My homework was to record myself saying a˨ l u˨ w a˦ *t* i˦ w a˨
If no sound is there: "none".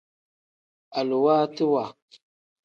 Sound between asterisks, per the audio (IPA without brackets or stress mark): t